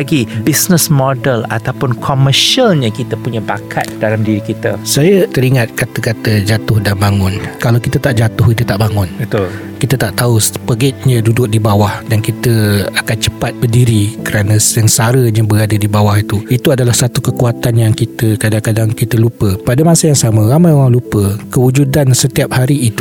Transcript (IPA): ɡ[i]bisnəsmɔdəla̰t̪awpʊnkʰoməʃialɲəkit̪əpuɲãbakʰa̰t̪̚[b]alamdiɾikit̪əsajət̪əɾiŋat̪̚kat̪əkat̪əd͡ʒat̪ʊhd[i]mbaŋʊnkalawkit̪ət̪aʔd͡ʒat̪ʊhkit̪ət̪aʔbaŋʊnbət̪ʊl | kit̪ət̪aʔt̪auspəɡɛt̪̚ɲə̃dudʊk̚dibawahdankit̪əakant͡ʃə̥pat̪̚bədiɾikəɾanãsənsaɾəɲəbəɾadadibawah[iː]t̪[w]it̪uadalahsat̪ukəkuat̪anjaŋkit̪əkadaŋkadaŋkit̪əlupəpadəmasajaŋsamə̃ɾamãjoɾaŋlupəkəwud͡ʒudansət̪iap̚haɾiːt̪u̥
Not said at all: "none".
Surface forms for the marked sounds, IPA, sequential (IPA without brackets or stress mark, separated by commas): i, d, a, i, u